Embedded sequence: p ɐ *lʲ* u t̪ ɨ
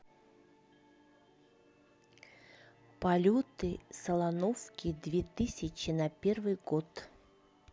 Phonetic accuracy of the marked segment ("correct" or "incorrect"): correct